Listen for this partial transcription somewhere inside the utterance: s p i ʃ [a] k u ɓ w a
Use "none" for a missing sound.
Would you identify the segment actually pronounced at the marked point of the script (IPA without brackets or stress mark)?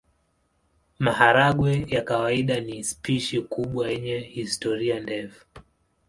i